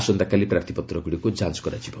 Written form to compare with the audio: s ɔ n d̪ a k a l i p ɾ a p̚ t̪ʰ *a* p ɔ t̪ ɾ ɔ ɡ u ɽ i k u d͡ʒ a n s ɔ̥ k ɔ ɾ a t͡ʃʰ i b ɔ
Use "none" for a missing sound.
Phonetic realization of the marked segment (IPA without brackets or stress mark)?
i